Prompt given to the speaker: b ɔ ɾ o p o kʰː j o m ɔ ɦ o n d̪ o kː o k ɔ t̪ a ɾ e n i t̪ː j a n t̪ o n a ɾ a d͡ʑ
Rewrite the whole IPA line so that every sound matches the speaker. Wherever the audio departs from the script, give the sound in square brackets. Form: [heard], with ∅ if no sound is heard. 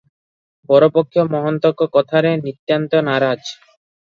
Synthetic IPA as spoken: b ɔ ɾ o p o kʰː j o m ɔ ɦ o n [t̪] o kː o k ɔ [t̪ʰ] a ɾ e n i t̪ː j a n t̪ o n a ɾ a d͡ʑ